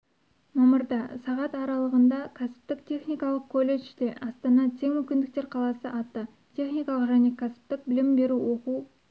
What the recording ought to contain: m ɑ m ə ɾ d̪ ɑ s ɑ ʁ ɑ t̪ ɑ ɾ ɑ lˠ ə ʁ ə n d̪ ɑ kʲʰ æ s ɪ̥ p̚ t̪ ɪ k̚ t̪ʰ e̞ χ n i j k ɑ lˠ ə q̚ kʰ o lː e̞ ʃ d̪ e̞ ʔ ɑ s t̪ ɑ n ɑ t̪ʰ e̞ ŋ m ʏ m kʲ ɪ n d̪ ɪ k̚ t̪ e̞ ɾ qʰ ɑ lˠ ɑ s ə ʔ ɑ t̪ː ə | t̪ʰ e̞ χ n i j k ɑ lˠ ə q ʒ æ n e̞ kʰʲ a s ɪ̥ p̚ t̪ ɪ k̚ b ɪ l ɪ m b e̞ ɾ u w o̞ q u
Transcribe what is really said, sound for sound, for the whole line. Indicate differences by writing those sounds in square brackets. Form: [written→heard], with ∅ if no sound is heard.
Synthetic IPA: m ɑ m ə ɾ d̪ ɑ s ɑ ʁ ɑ t̪ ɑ ɾ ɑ lˠ ə ʁ ə n d̪ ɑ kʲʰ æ s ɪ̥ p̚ t̪ ɪ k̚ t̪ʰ e̞ χ n i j k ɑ lˠ ə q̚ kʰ o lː e̞ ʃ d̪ e̞ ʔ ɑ s t̪ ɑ n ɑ t̪ʰ e̞ ŋ m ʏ m kʲ ɪ n d̪ ɪ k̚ t̪ e̞ ɾ qʰ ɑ lˠ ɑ s ə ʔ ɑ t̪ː ə | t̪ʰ e̞ χ n i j k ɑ lˠ ə q ʒ æ n e̞ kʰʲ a s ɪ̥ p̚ t̪ ɪ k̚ b ɪ l ɪ m b e̞ ɾ u w o̞ q u